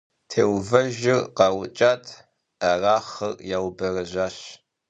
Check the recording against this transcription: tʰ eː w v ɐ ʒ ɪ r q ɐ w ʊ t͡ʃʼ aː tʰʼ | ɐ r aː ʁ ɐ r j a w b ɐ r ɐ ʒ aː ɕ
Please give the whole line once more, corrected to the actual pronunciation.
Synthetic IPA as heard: tʰ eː w v ɐ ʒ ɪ r q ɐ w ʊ t͡ʃʼ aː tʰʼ | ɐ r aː χ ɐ r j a w b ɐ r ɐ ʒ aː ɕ